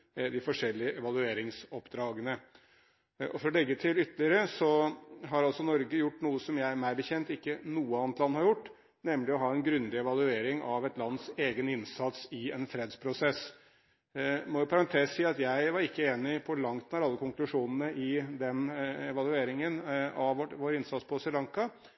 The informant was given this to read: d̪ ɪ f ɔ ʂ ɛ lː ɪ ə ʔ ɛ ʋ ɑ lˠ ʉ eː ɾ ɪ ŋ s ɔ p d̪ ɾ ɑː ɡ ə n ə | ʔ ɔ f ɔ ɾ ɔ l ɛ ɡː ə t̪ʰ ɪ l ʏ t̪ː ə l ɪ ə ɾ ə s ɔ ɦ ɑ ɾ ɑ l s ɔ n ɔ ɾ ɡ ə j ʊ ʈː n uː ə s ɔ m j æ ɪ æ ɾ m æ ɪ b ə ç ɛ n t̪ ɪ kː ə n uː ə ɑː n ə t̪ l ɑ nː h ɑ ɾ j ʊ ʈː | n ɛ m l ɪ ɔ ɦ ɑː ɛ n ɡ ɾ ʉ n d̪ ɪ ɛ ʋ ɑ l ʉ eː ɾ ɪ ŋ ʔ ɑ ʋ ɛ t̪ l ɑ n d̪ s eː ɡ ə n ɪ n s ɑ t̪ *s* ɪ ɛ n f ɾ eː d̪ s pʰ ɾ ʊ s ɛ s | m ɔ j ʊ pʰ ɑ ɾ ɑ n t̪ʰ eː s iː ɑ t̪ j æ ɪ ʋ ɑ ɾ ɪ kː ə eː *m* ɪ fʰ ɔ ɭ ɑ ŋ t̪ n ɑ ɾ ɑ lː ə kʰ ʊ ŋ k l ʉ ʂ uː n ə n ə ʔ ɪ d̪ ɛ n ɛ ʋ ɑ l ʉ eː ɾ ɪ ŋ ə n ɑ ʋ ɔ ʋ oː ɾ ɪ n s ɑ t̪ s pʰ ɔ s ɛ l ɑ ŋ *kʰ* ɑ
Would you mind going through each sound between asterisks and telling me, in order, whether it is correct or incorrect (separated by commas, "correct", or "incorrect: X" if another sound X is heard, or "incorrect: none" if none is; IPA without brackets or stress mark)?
correct, incorrect: n, incorrect: k